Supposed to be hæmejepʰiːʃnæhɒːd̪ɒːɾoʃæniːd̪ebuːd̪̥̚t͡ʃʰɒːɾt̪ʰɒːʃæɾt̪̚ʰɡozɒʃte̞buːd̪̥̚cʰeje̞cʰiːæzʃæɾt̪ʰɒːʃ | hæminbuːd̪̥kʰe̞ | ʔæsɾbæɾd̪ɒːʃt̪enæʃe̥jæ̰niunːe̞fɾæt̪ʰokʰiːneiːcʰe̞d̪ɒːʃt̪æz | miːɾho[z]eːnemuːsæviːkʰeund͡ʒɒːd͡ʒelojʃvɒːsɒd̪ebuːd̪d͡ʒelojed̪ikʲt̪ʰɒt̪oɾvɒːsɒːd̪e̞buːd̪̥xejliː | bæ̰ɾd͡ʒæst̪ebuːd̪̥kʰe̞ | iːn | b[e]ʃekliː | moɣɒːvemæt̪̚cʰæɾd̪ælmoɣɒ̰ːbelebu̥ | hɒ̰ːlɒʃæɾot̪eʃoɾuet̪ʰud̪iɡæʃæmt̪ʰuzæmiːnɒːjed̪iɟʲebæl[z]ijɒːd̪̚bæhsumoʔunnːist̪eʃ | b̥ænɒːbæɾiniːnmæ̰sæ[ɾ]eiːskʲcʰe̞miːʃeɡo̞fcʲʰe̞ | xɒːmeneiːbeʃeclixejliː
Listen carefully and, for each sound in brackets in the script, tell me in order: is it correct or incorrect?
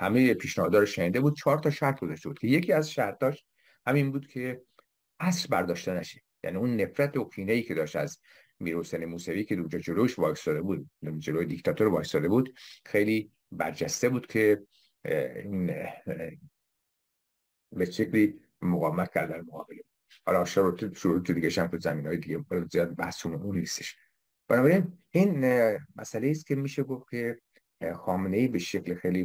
incorrect, correct, correct, incorrect

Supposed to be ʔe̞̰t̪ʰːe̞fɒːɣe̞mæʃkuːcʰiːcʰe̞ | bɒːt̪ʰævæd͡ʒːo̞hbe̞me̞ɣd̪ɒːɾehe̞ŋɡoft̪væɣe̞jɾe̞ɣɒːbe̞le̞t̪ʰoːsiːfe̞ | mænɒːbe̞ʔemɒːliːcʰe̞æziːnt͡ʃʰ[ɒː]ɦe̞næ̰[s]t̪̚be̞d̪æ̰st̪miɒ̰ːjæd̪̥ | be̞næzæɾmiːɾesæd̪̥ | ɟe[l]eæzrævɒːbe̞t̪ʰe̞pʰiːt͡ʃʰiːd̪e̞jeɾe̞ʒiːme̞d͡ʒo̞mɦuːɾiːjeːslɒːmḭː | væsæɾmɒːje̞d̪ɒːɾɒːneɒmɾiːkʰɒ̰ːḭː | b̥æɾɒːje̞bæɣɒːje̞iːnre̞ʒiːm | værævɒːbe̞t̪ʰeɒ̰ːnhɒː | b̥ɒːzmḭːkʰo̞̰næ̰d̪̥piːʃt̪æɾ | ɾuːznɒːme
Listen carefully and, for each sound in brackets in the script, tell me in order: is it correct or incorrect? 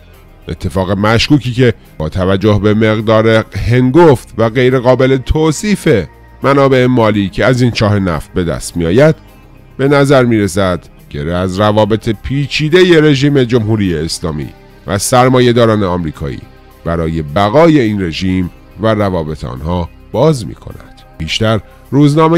correct, incorrect, incorrect

